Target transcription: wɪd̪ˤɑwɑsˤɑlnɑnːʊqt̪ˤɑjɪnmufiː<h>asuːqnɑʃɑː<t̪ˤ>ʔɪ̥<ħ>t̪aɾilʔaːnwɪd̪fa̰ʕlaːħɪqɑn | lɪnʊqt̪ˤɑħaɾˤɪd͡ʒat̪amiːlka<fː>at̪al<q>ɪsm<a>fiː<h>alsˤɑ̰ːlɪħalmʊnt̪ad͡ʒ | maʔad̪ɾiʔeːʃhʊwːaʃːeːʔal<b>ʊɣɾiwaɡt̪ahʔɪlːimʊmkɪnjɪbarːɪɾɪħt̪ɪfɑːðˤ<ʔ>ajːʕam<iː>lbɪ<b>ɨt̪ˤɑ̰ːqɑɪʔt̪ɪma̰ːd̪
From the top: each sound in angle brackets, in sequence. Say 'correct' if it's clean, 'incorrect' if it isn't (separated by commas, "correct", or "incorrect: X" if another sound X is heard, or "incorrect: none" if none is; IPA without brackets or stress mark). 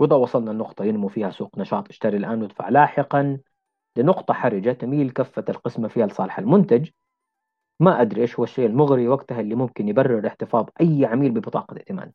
correct, correct, incorrect: ʃ, correct, correct, correct, correct, incorrect: m, correct, correct, correct